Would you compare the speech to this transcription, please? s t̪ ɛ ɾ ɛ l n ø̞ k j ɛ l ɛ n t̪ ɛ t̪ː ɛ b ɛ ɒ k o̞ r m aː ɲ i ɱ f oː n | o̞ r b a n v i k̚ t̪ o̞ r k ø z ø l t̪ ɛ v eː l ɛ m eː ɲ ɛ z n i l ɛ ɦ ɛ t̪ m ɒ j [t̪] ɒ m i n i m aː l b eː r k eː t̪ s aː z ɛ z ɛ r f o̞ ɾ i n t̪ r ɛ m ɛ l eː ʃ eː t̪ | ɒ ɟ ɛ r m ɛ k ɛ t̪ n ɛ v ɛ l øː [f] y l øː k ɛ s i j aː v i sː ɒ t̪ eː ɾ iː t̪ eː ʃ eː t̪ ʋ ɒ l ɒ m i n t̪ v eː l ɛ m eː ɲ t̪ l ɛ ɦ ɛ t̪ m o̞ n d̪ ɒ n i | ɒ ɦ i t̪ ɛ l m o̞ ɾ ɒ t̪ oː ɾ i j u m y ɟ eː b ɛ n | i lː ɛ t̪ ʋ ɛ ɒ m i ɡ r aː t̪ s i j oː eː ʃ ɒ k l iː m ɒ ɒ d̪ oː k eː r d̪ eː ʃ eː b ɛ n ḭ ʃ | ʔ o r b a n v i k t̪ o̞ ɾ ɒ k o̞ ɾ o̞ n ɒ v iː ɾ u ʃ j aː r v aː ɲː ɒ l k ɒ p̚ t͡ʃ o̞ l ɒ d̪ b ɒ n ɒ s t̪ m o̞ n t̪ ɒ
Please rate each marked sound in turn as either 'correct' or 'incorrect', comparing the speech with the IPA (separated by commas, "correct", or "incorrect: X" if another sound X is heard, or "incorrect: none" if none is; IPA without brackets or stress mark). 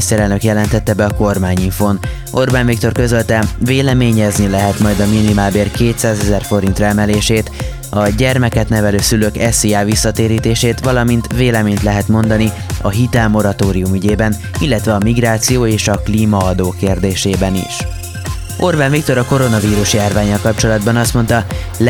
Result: incorrect: d̪, incorrect: s